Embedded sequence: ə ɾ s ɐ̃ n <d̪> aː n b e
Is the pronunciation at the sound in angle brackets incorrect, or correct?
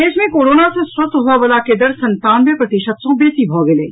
incorrect